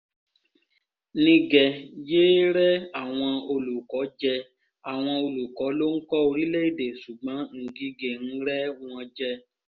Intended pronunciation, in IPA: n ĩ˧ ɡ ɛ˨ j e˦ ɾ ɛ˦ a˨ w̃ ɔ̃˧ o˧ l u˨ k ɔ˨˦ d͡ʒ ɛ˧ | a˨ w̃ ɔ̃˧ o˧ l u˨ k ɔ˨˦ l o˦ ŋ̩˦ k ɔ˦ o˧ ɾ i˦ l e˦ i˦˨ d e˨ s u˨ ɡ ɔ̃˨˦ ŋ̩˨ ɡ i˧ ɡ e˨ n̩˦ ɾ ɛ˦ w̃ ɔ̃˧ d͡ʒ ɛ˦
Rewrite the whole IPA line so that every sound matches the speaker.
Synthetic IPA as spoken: n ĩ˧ ɡ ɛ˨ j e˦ ɾ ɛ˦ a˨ w̃ ɔ̃˧ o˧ l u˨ k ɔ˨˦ d͡ʒ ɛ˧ | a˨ w̃ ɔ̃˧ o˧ l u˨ k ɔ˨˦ l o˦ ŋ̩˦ k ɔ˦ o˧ ɾ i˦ l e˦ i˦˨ d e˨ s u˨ ɡ͡b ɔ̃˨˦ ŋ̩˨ ɡ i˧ ɡ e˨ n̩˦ ɾ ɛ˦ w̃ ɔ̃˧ d͡ʒ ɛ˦